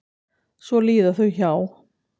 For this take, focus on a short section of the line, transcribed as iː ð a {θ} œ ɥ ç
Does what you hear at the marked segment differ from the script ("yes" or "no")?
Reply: no